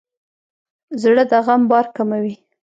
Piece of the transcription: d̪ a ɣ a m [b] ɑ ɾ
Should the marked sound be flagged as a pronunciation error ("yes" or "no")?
no